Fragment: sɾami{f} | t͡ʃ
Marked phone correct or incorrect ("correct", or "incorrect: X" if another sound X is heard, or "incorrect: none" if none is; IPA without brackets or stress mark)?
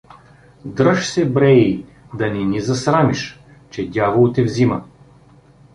incorrect: ʃ